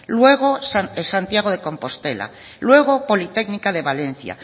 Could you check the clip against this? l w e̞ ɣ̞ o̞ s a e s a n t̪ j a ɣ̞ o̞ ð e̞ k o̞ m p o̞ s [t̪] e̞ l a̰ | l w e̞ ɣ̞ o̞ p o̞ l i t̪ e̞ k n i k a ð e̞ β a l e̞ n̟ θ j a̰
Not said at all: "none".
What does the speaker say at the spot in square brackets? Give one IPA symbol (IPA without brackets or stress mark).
t̪